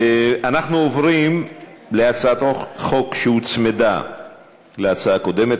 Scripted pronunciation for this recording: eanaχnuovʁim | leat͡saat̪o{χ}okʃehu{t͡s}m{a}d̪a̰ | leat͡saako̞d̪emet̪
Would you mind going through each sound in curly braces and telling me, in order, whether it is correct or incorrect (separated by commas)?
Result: correct, correct, incorrect